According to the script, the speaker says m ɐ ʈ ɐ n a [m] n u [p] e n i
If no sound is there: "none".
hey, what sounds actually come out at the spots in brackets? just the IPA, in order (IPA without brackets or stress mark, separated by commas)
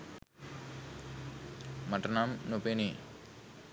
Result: m, p